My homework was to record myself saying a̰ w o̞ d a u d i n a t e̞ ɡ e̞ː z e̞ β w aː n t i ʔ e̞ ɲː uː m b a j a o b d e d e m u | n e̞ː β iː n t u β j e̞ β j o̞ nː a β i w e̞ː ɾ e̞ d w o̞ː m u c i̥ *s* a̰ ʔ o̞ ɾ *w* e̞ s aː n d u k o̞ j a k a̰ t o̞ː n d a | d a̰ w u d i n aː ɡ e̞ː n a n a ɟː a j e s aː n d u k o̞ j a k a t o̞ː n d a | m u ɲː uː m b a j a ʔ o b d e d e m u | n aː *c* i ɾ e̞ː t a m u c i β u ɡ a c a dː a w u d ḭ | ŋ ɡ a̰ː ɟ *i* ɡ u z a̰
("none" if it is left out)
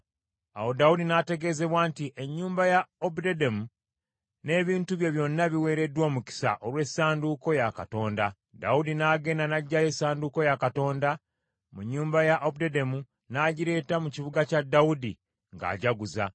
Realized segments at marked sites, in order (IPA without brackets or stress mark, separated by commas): s, w, ɟ, a